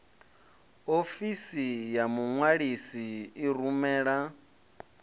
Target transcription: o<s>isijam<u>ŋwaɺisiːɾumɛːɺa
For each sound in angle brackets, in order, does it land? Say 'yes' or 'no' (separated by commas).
no, yes